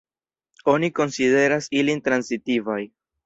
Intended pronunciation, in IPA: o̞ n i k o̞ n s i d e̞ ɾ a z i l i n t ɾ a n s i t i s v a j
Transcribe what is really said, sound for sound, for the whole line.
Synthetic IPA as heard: o̞ n i k o̞ n s i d e̞ ɾ a s i l i n t ɾ a n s i t i v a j